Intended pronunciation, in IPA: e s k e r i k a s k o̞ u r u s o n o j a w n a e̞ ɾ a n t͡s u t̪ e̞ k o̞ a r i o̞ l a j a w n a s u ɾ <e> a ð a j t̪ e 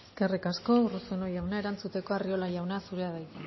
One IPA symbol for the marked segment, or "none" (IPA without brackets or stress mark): e